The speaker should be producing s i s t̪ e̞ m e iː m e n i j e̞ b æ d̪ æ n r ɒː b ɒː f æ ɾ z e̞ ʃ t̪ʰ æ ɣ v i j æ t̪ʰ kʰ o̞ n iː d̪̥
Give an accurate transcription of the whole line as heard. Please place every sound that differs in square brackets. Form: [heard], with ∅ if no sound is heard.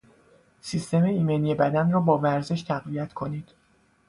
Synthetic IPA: s i s t̪ e̞ m e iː m e n i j e̞ b æ d̪ æ n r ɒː b ɒː [v] æ ɾ z e̞ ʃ t̪ʰ æ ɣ v i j æ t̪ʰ kʰ o̞ n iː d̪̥